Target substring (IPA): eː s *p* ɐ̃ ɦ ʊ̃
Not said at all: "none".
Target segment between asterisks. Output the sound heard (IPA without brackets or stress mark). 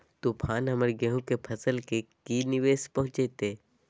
p